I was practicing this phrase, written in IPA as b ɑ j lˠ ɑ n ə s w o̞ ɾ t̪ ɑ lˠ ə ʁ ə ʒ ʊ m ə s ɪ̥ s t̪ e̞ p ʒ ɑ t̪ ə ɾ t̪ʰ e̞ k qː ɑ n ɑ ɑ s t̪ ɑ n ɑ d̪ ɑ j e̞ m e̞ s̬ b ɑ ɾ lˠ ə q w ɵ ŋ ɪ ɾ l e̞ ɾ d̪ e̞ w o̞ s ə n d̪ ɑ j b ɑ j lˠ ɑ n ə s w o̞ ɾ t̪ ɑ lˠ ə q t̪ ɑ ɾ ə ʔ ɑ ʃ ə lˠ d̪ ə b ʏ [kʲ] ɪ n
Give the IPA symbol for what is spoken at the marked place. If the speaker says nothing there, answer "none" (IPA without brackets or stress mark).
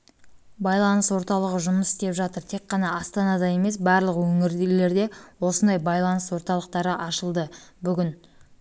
ɡʲ